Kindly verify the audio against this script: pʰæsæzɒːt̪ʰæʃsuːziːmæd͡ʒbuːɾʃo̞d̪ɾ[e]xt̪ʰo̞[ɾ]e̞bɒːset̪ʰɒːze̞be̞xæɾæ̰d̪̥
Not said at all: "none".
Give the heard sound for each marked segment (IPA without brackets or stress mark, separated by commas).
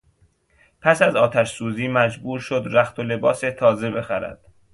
æ, l